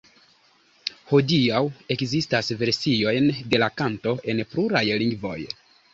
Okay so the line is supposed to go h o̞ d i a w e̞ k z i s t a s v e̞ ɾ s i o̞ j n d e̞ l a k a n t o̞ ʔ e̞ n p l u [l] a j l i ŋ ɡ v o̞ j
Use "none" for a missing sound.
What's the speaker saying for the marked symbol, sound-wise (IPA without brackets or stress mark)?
ɾ